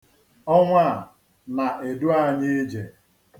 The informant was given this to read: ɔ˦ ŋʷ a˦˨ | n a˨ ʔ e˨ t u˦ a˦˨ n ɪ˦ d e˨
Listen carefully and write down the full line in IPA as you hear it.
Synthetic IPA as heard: ɔ˦ ŋʷ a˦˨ | n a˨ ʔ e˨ d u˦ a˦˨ ɲ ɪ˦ d͡ʒ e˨